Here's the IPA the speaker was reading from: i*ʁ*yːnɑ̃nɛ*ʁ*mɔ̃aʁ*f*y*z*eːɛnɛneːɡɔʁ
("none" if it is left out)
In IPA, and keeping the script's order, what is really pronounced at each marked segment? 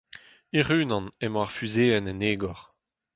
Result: ʁ, none, f, z

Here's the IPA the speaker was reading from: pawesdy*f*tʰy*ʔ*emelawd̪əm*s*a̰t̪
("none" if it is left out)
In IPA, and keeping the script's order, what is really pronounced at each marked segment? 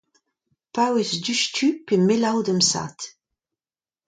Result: ʃ, p, s

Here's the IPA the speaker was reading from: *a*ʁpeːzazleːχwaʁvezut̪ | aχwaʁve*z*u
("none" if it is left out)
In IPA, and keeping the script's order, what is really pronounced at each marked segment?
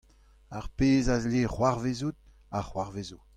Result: a, z

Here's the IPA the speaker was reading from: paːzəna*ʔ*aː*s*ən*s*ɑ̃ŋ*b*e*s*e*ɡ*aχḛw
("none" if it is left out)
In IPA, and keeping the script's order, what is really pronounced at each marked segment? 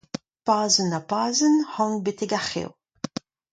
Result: p, z, h, b, t, ɡ

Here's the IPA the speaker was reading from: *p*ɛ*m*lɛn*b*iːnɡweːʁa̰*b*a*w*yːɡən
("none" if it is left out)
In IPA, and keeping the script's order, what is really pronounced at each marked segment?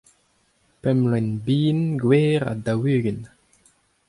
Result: p, m, b, d, w

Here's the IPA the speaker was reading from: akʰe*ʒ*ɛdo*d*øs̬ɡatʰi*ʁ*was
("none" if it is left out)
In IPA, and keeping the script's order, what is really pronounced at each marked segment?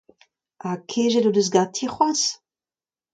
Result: ʒ, d, χ

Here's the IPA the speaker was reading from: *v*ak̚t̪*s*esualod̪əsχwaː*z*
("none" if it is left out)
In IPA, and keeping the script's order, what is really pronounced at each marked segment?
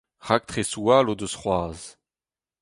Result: ʁ, χ, z

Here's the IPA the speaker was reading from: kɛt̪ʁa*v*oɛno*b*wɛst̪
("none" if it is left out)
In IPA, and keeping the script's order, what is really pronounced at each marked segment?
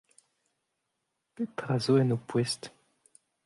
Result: z, p

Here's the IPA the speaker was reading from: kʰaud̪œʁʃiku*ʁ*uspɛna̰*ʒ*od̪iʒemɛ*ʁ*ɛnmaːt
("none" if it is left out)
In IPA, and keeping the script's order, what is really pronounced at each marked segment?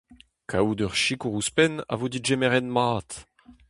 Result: ʁ, v, ʁ

